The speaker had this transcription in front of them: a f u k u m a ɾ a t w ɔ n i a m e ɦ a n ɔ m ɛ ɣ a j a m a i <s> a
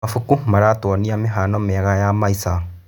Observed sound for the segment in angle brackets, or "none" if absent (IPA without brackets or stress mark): s